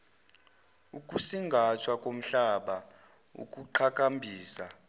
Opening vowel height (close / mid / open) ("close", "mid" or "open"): close